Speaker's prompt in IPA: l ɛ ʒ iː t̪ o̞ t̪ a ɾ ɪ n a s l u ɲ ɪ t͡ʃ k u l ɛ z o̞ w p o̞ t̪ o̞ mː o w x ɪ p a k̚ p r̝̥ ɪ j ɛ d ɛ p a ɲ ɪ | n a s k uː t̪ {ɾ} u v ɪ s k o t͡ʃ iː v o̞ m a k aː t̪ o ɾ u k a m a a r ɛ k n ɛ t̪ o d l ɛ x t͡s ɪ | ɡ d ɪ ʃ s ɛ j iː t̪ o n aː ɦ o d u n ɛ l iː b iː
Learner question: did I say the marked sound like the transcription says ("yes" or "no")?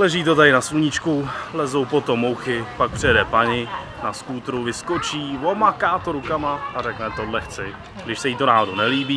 yes